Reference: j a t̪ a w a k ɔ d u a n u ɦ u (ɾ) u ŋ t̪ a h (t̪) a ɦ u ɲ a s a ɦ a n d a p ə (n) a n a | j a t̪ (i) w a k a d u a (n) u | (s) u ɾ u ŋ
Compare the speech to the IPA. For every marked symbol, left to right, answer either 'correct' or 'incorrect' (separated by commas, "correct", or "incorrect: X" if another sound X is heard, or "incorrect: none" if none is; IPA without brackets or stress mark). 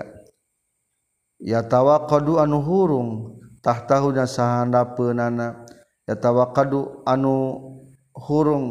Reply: correct, correct, correct, incorrect: a, correct, incorrect: h